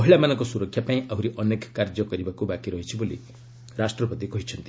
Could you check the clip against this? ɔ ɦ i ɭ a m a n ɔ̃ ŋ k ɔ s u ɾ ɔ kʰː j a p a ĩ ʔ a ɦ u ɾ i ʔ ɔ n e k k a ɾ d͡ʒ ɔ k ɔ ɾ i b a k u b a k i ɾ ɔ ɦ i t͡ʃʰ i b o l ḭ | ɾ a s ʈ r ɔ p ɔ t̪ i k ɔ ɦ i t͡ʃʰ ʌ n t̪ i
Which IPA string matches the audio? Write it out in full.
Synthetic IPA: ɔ ɦ i ɭ a m a n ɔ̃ ŋ k ɔ s u ɾ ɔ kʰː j a p a ĩ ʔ a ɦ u ɾ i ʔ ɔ n e k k a ɾ d͡ʒ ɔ k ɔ ɾ i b a k u b a k i ɾ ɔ ɦ i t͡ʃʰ i b o l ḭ | ɾ a s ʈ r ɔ p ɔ t̪ i k ɔ ɦ i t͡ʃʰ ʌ n t̪ i